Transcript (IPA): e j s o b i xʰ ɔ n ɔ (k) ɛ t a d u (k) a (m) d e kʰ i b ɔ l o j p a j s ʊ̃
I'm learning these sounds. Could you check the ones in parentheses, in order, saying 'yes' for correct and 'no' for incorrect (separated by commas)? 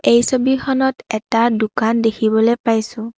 no, yes, no